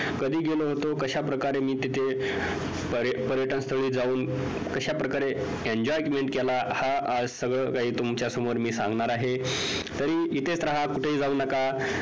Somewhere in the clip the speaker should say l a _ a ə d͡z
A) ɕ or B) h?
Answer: B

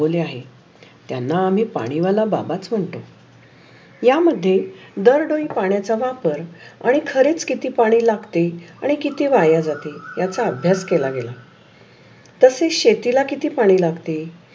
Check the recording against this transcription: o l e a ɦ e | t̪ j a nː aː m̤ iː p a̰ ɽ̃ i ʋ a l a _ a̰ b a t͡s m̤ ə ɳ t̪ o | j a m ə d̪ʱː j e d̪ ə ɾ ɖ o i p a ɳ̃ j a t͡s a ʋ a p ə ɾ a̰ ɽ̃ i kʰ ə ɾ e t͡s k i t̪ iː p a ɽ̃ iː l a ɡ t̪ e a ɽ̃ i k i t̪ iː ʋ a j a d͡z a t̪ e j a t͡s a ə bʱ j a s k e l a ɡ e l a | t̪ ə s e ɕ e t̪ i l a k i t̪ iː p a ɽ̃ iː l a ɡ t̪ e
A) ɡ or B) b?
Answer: B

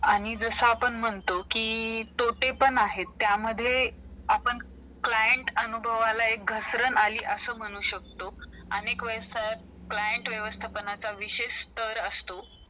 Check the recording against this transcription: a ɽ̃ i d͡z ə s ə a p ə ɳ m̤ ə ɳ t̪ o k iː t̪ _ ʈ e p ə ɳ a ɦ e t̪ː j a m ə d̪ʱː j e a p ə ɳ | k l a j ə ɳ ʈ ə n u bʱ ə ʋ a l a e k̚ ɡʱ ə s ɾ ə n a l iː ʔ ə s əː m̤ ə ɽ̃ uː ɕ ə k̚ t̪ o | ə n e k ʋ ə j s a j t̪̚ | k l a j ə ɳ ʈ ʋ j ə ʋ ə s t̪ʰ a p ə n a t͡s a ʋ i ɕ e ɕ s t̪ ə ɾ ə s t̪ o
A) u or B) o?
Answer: B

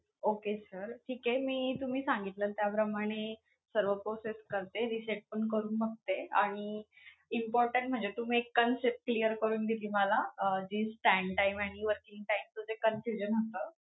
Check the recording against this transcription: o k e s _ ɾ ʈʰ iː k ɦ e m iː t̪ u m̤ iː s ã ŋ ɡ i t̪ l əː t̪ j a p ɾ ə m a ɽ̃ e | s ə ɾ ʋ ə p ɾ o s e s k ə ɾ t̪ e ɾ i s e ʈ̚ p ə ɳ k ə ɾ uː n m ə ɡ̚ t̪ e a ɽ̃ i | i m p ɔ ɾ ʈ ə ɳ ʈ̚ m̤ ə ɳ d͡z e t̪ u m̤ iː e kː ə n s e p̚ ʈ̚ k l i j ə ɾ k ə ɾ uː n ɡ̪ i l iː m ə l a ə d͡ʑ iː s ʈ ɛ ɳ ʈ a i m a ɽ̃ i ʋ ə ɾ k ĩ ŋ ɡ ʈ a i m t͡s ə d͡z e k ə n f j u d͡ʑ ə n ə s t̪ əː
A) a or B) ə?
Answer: B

